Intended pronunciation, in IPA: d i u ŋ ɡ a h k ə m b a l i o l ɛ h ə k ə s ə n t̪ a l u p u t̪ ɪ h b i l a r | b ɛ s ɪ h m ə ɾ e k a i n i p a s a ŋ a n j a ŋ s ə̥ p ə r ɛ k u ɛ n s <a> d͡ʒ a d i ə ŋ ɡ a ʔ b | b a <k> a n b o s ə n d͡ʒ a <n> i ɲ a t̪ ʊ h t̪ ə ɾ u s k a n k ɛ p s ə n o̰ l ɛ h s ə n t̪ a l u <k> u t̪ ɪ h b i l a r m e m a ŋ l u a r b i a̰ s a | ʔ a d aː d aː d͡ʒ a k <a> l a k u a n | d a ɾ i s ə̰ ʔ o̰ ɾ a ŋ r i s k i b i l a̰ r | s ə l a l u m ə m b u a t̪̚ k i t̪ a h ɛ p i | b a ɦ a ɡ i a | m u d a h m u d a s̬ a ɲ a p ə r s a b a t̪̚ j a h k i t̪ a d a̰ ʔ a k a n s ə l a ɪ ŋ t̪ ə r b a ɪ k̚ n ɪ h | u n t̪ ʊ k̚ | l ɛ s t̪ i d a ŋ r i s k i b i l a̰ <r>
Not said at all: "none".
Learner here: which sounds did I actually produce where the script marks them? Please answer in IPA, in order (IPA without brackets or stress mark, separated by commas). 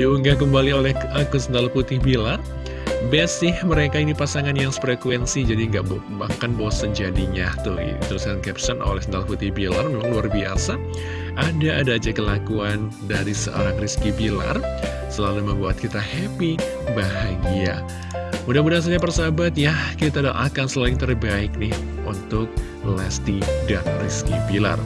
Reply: i, k, d, p, ə, r